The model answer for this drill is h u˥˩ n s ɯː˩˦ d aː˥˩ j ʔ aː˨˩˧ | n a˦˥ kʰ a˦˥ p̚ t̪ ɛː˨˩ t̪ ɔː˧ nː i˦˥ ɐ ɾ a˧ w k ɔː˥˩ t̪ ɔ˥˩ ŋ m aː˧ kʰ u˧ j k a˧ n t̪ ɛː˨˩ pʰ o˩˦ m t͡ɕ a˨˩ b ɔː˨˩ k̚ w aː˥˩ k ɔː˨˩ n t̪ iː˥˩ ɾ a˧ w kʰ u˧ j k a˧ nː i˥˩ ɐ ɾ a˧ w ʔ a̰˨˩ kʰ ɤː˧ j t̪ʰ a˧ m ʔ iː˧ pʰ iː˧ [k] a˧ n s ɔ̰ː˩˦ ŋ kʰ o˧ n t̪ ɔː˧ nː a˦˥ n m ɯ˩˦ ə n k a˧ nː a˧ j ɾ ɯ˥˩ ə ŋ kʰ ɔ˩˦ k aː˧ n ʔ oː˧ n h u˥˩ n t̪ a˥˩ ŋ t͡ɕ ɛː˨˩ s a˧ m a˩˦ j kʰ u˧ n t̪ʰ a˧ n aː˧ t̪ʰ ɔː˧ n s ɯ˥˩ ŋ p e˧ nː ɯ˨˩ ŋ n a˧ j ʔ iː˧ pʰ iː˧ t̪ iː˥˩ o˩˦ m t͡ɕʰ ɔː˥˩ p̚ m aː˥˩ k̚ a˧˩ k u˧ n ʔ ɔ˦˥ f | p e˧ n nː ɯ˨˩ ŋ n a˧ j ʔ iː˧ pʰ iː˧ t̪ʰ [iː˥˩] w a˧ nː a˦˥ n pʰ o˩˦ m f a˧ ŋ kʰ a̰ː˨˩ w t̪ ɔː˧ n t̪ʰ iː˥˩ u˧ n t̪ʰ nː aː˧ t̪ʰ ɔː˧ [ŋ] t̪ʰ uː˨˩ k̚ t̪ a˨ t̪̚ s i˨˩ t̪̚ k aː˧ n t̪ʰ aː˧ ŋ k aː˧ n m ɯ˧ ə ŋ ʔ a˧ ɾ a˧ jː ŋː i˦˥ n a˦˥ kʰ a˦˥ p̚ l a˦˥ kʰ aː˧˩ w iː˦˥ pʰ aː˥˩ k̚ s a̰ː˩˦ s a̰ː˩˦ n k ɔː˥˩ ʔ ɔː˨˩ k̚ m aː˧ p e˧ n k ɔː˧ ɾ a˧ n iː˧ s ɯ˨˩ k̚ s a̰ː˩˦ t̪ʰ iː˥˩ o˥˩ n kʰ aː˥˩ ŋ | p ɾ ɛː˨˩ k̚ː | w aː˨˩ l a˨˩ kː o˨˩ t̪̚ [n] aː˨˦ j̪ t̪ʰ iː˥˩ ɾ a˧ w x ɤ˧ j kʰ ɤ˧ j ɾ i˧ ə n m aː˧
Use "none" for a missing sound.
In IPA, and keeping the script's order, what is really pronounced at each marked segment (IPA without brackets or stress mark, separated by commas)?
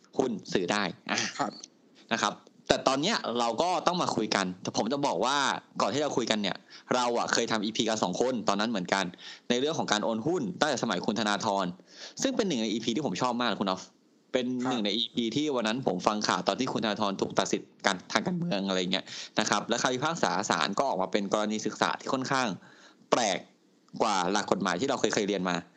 k, iː˥˩, n, m